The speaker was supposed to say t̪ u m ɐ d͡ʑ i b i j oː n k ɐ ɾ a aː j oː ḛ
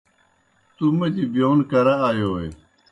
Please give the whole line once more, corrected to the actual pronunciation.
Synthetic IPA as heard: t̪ u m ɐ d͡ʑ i b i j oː n k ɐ ɾ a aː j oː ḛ